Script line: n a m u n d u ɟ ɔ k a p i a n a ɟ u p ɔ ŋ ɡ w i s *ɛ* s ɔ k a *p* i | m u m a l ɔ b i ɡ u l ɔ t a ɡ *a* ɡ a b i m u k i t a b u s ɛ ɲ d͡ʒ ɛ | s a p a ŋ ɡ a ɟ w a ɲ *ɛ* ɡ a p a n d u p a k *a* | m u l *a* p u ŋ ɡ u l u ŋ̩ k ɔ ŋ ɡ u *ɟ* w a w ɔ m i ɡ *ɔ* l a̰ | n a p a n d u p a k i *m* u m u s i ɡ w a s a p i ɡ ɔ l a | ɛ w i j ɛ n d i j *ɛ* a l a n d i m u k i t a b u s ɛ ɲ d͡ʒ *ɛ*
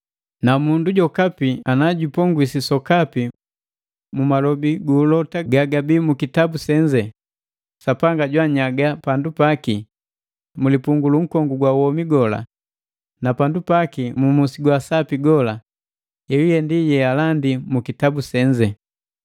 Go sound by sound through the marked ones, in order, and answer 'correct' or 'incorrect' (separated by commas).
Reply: incorrect, correct, correct, incorrect, incorrect, incorrect, incorrect, correct, correct, correct, correct